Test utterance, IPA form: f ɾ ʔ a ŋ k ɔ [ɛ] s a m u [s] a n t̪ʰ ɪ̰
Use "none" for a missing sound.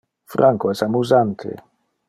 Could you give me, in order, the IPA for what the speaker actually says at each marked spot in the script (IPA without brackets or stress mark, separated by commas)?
ɛ, z